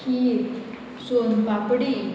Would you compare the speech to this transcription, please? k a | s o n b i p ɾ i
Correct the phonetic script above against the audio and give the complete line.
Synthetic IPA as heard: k i | s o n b a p ɽ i